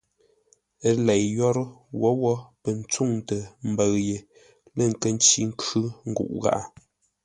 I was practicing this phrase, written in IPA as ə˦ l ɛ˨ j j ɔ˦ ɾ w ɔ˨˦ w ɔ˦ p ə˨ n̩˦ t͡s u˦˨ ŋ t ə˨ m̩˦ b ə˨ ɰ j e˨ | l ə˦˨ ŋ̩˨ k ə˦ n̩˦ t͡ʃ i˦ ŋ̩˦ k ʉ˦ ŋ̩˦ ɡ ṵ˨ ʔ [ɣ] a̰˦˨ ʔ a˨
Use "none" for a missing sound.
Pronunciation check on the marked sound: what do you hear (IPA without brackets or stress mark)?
ɣ